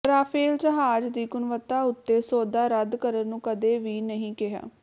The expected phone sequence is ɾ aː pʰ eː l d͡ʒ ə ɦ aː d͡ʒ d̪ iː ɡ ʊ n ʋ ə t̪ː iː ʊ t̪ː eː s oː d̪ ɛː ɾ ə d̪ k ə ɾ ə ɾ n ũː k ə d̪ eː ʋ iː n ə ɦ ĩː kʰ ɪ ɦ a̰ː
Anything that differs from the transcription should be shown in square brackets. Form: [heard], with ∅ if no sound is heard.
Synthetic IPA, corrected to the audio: ɾ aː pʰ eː l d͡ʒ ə ɦ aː d͡ʒ d̪ iː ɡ ʊ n ʋ ə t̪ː [aː] ʊ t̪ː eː s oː d̪ [aː] ɾ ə d̪ k ə ɾ ə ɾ n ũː k ə d̪ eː ʋ iː n ə ɦ ĩː [k] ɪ ɦ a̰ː